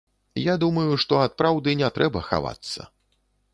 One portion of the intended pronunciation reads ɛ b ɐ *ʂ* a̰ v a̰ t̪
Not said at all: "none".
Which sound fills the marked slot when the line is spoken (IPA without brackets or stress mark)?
x